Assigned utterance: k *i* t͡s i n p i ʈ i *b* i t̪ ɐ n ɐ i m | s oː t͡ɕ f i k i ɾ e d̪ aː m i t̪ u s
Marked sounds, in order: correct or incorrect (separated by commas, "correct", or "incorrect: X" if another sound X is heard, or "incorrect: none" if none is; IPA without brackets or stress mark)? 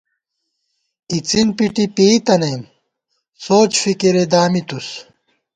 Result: correct, incorrect: p